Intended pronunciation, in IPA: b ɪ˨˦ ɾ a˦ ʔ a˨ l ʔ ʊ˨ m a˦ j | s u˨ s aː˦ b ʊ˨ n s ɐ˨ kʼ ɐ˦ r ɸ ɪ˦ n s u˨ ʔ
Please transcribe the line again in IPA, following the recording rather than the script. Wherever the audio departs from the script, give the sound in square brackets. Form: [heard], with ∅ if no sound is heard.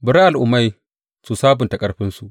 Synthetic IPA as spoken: b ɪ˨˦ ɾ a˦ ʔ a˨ l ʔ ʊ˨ m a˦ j | s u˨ s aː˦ b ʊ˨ n [t] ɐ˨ kʼ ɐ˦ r ɸ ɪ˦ n s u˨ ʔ

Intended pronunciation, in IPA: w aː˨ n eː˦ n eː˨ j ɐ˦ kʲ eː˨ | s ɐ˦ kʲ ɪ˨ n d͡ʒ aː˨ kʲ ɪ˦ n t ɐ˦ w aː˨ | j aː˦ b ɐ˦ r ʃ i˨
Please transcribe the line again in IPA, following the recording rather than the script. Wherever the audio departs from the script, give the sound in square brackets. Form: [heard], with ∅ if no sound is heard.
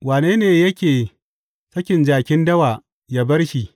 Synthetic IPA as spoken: w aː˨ n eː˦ n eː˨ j ɐ˦ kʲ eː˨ | s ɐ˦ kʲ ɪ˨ n d͡ʒ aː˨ kʲ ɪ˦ n [d] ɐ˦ w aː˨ | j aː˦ b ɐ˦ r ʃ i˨

